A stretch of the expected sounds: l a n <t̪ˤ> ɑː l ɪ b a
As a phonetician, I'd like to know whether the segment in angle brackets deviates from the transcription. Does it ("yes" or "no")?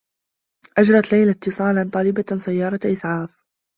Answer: no